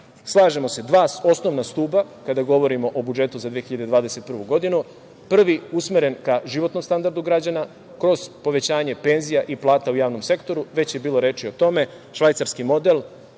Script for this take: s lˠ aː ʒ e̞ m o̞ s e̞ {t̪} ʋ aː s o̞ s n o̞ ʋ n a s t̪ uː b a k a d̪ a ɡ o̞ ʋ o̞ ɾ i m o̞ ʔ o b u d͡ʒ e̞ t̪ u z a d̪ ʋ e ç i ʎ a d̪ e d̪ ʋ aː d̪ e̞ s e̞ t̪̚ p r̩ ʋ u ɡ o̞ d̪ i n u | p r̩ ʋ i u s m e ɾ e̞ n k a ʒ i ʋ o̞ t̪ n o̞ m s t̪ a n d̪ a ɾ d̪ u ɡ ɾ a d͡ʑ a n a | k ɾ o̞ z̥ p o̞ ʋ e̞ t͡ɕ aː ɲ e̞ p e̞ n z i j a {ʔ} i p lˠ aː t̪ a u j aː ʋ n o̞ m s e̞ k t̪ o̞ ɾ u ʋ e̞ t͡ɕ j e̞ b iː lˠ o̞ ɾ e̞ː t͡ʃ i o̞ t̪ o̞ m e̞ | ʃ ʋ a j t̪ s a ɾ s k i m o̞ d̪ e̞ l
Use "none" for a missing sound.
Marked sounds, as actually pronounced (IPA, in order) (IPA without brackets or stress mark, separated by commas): d̪, ʔ